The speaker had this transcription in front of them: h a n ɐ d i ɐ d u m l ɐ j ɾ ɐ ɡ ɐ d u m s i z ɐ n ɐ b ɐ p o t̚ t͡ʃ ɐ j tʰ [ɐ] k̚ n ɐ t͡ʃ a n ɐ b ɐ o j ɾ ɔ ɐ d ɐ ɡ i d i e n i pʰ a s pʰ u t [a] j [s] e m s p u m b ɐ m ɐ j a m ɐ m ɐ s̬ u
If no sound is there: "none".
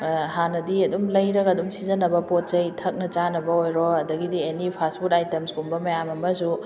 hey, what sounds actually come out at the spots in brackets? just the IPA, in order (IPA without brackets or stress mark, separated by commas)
ɐ, a, t